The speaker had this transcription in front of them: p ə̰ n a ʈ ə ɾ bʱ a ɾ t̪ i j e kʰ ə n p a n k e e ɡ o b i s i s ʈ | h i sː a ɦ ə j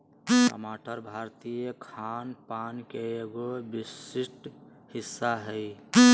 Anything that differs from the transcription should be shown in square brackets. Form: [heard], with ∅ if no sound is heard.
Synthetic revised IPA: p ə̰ [m] a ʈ ə ɾ bʱ a ɾ t̪ i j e kʰ [a] n p a n k e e ɡ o b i s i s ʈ | h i sː a ɦ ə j